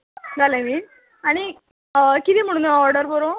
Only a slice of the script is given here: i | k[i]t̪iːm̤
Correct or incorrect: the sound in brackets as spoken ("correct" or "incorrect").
correct